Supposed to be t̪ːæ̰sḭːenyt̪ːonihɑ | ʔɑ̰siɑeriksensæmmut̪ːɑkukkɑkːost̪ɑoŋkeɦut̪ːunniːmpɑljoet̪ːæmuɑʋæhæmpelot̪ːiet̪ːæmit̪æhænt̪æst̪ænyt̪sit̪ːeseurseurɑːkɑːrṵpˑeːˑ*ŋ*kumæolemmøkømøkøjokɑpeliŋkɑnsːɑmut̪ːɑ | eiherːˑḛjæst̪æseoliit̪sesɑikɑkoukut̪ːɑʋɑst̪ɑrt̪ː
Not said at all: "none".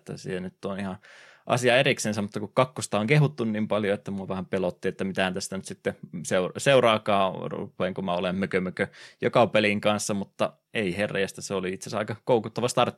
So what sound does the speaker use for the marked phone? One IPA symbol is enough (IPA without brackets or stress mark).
ŋ